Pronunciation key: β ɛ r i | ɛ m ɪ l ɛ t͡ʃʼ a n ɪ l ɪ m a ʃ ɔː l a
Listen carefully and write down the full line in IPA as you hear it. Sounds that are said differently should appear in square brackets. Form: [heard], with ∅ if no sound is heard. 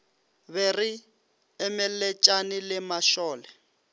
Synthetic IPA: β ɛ r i | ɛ m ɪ l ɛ t͡ʃʼ a n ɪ l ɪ m a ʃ ɔː l [ɛ]